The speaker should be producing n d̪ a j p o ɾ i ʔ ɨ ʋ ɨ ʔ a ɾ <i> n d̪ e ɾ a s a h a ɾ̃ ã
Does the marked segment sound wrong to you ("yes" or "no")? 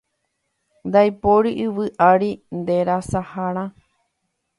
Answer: no